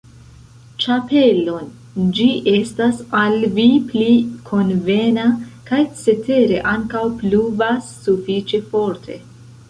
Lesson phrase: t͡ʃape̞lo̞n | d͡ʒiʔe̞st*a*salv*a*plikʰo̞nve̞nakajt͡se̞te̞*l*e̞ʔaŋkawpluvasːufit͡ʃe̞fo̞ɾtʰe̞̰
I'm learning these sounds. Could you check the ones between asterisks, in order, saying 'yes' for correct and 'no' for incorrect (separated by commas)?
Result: yes, no, no